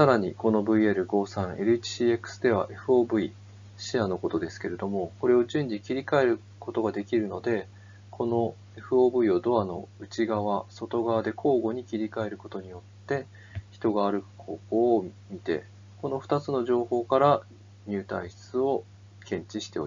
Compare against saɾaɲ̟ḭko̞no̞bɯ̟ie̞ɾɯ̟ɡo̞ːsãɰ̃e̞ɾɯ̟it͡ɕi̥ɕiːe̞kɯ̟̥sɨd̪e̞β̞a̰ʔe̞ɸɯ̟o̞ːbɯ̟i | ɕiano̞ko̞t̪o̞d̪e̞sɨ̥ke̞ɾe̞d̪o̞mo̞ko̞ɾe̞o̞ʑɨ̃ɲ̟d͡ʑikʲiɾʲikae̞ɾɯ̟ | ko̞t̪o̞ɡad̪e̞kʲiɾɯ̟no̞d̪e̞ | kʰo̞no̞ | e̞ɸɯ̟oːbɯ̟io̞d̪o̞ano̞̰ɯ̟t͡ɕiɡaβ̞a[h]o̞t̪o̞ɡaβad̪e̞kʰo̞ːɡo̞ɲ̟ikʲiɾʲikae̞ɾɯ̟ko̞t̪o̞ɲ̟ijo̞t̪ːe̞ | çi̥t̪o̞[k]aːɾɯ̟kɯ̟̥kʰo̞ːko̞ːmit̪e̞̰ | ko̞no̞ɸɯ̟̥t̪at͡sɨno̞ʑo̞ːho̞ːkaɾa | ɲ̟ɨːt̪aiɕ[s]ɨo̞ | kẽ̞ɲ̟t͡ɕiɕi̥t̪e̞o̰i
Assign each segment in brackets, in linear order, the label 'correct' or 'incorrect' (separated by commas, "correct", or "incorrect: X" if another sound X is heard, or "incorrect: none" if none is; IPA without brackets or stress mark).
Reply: incorrect: s, incorrect: ɡ, incorrect: t͡s